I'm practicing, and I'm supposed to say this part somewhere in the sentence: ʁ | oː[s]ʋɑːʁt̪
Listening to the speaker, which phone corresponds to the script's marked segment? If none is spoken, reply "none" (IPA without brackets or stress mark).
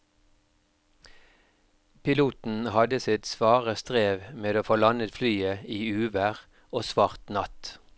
s